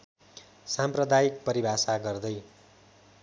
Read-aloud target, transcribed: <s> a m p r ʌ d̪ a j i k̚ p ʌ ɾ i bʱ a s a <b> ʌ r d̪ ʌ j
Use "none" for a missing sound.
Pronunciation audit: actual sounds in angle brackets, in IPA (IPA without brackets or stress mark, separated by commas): s, ɡ